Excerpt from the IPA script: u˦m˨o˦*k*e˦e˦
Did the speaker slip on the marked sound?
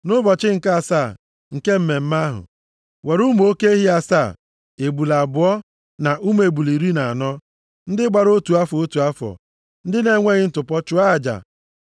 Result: no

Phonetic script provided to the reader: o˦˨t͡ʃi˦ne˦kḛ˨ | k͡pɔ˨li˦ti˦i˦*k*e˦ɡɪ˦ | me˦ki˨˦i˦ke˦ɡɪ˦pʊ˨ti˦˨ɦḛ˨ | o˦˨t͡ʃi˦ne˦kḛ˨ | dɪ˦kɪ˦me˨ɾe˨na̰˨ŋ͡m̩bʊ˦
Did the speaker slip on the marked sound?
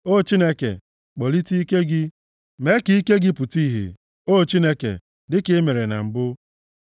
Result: no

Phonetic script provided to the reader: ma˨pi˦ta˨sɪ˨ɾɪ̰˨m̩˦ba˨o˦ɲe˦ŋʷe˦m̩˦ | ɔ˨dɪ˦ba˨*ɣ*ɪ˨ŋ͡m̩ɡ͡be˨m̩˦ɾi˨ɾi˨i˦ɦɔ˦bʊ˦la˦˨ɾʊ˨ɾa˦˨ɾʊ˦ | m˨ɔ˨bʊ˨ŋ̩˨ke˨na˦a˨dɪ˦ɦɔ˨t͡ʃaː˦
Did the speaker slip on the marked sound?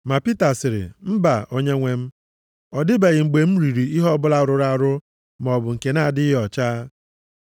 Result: no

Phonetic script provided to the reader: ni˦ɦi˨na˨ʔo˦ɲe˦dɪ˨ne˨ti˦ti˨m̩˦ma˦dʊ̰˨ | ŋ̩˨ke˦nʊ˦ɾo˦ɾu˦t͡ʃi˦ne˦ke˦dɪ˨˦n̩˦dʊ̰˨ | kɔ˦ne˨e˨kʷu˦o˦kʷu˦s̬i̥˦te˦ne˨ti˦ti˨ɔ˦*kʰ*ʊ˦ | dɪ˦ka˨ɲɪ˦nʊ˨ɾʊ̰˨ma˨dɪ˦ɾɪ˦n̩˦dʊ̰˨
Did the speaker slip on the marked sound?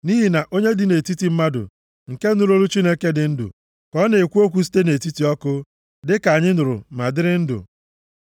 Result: yes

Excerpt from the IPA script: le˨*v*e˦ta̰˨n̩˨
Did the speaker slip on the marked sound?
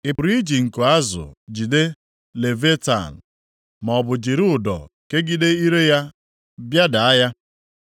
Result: no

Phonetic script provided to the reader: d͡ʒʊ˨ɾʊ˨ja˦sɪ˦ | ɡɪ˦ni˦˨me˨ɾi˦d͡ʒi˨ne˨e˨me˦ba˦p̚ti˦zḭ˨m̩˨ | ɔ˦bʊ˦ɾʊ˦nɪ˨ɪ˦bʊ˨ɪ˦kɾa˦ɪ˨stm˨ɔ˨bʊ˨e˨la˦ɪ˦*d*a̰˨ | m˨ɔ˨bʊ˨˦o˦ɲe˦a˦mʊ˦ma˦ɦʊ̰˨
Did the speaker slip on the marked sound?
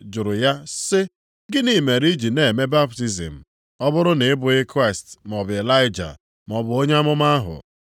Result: yes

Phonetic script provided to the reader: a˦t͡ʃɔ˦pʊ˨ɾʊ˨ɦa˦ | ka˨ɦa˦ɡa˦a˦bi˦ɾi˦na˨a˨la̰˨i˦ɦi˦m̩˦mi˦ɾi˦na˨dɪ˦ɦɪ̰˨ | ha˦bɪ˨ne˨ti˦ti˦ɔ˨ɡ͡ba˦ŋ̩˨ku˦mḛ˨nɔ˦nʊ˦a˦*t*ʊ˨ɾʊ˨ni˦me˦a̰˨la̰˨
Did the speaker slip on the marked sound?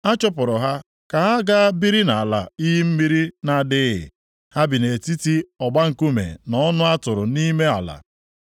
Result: no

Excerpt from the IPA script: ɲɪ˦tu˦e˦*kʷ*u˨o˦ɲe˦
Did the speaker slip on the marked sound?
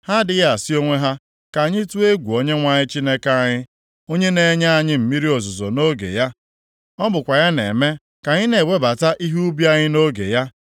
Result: yes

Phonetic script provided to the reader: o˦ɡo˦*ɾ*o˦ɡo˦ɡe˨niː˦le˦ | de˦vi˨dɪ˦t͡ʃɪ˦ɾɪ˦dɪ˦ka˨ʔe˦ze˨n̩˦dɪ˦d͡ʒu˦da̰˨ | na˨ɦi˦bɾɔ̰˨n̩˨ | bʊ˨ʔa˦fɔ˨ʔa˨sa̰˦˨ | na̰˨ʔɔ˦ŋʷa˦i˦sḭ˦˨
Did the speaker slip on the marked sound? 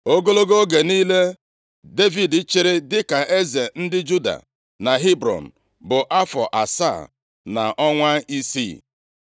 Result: yes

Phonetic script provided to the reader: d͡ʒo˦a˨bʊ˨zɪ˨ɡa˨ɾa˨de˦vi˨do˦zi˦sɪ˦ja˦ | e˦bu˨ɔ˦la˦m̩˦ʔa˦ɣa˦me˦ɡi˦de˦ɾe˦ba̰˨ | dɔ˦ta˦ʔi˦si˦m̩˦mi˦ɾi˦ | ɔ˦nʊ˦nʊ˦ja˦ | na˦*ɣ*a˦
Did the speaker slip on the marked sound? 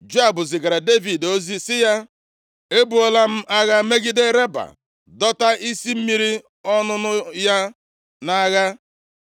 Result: no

